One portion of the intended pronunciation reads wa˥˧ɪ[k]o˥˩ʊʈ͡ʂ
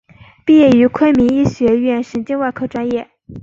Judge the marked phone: incorrect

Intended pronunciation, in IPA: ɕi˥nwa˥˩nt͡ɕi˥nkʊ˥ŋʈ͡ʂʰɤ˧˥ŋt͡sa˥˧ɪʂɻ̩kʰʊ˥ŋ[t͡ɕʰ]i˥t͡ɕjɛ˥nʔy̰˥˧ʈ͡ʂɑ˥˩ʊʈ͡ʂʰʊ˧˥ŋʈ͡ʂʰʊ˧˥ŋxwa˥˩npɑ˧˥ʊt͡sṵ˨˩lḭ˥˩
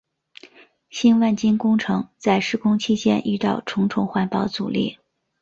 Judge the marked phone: correct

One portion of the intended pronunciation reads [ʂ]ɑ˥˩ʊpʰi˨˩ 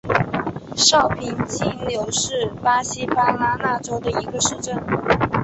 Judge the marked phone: correct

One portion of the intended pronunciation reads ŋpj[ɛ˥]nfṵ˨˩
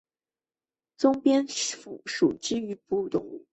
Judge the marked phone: correct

